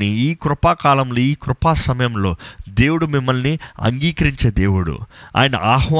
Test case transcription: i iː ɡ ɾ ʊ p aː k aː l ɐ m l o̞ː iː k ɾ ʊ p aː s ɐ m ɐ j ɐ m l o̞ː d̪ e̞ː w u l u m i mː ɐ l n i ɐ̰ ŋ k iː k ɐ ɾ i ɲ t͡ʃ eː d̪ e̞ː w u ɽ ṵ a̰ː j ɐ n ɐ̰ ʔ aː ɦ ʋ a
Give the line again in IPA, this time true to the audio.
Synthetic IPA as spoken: i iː k ɾ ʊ p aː k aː l ɐ m l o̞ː iː k ɾ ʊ p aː s ɐ m ɐ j ɐ m l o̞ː d̪ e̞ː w u ɽ u m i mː ɐ l n i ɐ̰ ŋ ɡ iː k ɐ ɾ i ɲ t͡ʃ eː d̪ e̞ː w u ɽ ṵ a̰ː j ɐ n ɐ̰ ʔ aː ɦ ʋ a